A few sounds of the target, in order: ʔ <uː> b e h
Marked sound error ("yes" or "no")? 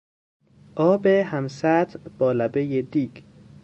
yes